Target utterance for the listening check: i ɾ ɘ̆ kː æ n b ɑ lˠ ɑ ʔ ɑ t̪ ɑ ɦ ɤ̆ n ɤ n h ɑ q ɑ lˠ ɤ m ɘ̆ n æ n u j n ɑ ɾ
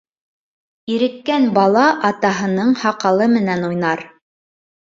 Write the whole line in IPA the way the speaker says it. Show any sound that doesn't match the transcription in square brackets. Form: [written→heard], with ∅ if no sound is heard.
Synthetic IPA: i ɾ ɘ̆ kː æ n b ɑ lˠ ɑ ʔ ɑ t̪ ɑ ɦ ɤ̆ n ɤ [n→ɴ] h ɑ q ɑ lˠ ɤ m ɘ̆ n æ n u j n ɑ ɾ